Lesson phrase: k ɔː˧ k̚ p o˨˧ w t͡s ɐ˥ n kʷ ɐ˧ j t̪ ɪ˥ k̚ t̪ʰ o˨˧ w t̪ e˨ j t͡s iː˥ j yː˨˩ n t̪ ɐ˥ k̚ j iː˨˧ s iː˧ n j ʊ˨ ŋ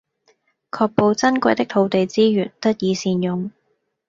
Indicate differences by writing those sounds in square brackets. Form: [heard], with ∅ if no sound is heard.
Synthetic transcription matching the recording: [kʰ] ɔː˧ k̚ p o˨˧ w t͡s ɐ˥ n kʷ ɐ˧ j t̪ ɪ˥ k̚ t̪ʰ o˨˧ w t̪ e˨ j t͡s iː˥ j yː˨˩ n t̪ ɐ˥ [t̚] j iː˨˧ s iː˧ n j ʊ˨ ŋ